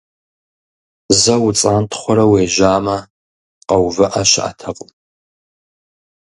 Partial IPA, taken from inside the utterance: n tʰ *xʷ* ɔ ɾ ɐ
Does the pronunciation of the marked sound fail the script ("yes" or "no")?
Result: yes